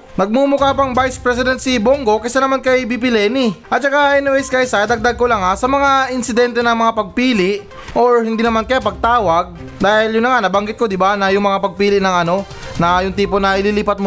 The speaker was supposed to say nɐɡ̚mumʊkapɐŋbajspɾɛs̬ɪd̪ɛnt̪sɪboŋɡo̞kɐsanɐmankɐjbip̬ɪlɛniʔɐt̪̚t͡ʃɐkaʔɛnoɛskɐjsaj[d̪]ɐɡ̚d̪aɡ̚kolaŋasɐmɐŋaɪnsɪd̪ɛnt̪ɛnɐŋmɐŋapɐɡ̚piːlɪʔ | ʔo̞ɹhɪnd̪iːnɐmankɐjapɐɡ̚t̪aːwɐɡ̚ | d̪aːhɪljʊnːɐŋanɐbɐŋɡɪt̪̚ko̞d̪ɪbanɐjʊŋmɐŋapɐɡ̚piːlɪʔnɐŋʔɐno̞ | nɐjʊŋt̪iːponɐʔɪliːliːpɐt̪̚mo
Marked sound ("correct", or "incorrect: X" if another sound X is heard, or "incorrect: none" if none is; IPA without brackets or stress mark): correct